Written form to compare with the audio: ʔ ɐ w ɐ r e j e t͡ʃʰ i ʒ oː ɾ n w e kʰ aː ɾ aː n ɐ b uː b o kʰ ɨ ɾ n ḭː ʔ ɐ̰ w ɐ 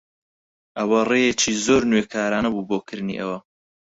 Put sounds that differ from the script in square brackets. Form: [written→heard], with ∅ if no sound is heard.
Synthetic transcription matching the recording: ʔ ɐ w ɐ r e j e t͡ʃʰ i [ʒ→z] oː ɾ n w e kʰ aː ɾ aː n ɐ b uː b o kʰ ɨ ɾ n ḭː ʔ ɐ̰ w ɐ